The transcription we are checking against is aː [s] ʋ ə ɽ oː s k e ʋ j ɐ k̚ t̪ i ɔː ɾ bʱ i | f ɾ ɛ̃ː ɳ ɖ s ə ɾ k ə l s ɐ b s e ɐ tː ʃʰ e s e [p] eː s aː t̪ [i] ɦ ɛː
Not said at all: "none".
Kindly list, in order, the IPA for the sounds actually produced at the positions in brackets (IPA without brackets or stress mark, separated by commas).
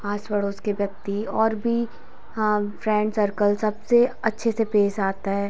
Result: s, p, a